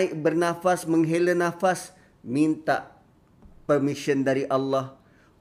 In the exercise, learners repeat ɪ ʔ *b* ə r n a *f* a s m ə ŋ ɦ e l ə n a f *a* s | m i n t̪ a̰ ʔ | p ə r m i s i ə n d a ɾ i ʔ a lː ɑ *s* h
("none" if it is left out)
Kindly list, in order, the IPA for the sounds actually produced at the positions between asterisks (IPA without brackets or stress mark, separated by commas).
b, f, a, none